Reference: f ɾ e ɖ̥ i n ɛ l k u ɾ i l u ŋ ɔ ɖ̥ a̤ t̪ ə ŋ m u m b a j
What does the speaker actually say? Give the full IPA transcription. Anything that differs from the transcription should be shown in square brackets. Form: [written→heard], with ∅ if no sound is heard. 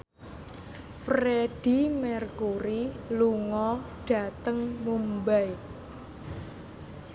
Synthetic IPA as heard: f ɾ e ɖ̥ i [n→m] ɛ [l→r] k u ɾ i l u ŋ ɔ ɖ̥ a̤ t̪ ə ŋ m u m b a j